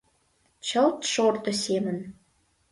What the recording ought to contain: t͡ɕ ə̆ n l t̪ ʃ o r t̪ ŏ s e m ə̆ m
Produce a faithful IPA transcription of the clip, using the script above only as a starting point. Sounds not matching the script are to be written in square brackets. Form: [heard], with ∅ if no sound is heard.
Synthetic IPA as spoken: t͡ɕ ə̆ [∅] l t̪ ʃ o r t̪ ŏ s e m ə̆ [n]